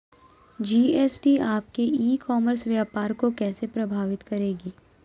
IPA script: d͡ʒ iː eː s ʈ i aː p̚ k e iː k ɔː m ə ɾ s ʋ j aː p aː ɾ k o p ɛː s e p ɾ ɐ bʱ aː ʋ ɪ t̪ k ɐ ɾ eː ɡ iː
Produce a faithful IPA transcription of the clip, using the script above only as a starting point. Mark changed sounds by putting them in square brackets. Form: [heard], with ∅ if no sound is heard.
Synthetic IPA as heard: d͡ʒ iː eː s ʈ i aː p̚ k e iː k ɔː m ə ɾ s ʋ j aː p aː ɾ k o [k] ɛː s e p ɾ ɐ bʱ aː ʋ ɪ t̪ k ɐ ɾ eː ɡ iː